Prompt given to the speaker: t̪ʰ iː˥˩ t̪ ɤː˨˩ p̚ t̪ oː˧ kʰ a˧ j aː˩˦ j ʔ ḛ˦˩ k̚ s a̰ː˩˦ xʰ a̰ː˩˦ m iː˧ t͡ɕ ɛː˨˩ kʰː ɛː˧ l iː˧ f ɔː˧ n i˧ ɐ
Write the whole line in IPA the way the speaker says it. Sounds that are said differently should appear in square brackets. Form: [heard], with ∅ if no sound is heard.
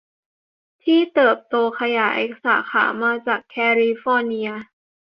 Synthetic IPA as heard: t̪ʰ iː˥˩ t̪ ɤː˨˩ p̚ t̪ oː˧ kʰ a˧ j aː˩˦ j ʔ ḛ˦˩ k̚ s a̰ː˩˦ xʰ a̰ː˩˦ m [aː˧] t͡ɕ [aː˨˩] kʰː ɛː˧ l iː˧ f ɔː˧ n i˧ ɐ